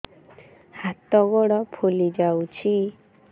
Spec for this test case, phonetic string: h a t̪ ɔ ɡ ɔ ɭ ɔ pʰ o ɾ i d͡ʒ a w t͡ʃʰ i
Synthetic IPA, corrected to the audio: h a t̪ ɔ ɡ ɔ ɽ ɔ pʰ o l i d͡ʒ a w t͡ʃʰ i